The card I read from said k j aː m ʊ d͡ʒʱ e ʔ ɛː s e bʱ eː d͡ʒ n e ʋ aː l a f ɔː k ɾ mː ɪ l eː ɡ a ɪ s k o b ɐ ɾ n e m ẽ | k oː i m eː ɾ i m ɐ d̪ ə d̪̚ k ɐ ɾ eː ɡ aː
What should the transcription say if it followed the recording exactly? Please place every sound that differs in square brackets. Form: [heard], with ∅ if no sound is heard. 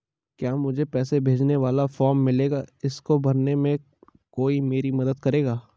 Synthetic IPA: k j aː m ʊ d͡ʒʱ e [p] ɛː s e bʱ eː d͡ʒ n e ʋ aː l a f ɔː [∅] ɾ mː ɪ l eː ɡ a ɪ s k o b ɐ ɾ n e m ẽ | k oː i m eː ɾ i m ɐ d̪ ə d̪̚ k ɐ ɾ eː ɡ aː